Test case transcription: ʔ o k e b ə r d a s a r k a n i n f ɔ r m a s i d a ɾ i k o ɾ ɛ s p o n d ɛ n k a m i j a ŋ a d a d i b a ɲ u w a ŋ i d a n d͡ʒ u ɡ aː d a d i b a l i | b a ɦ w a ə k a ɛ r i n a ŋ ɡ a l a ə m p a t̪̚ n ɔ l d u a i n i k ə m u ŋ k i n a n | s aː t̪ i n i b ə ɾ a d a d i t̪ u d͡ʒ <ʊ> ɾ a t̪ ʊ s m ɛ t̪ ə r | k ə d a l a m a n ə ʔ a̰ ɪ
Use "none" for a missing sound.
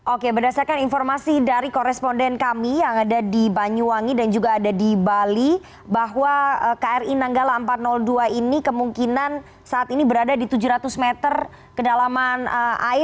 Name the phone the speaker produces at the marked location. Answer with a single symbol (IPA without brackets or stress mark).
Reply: u